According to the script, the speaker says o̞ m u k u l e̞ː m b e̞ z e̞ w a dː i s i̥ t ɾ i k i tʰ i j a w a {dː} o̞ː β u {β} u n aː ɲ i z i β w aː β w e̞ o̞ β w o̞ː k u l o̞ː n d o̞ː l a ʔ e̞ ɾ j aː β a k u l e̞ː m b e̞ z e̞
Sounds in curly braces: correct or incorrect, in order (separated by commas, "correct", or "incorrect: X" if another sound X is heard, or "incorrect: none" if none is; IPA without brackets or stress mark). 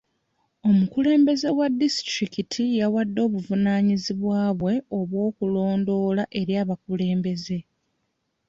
correct, incorrect: v